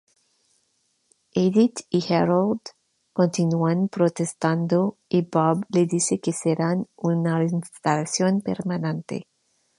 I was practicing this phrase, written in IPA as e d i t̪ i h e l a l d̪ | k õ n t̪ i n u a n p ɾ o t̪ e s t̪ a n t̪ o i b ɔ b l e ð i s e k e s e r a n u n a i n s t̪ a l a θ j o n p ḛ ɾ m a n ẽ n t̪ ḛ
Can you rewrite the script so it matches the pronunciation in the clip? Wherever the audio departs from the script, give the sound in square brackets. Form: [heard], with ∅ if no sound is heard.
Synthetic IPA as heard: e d i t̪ i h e [ɾ] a l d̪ | k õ n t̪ i n u a n p ɾ o t̪ e s t̪ a n [d̪] o i b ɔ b l e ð i s e k e s e [ɾ] a n u n a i n s t̪ a l a [s] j o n p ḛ ɾ m a n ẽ n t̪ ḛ

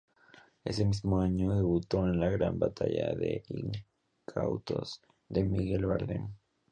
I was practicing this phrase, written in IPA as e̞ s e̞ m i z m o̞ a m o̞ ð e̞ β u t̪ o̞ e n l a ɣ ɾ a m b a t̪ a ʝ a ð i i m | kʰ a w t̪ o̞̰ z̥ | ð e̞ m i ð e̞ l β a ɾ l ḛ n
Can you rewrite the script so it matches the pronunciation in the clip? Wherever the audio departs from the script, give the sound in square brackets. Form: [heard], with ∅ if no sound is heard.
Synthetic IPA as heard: e̞ s e̞ m i z m o̞ a [ɲ] o̞ ð e̞ β u t̪ o̞ e n l a ɣ ɾ a m b a t̪ a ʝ a ð [e] i [ŋ] | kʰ a w t̪ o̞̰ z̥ | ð e̞ m i [ɣ] e̞ l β a ɾ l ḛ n

